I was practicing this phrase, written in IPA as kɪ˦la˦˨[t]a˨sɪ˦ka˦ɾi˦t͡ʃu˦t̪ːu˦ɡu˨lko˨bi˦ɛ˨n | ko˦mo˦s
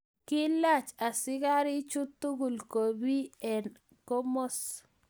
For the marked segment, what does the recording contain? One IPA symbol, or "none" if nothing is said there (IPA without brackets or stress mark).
t͡ʃ